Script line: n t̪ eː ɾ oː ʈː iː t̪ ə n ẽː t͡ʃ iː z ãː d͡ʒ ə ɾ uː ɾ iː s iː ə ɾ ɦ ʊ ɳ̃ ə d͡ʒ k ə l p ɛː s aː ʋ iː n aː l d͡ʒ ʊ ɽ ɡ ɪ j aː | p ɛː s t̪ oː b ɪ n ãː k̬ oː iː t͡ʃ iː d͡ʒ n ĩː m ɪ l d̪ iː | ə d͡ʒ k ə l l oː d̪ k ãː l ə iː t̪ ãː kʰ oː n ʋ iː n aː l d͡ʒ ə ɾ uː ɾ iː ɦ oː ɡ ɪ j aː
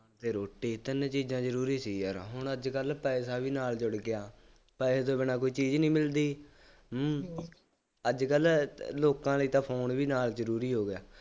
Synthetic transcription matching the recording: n t̪ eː ɾ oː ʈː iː t̪ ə n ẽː t͡ʃ iː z ãː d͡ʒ ə ɾ uː ɾ iː s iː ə ɾ ɦ ʊ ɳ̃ ə d͡ʒ k ə l p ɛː s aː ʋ iː n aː l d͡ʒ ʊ ɽ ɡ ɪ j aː | p ɛː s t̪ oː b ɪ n aː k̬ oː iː t͡ʃ iː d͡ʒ n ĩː m ɪ l d̪ iː | ə d͡ʒ k ə l l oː k ãː l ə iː t̪ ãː pʰ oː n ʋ iː n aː l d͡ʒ ə ɾ uː ɾ iː ɦ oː ɡ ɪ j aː